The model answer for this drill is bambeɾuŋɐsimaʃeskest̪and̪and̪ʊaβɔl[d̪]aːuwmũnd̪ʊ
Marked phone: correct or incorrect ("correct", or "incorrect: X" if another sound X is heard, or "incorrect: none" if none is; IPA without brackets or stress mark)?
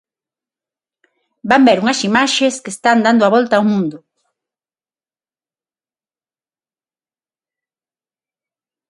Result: incorrect: t̪